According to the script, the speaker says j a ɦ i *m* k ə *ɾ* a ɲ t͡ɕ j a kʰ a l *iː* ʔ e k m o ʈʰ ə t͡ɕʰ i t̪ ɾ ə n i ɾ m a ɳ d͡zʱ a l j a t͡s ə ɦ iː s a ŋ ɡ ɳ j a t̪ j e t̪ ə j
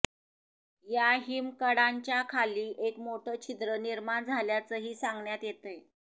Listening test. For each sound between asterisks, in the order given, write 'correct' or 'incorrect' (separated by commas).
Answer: correct, incorrect, correct